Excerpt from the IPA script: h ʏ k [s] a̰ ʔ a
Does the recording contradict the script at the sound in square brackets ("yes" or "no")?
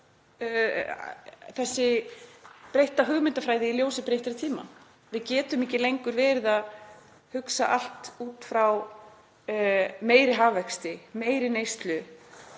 no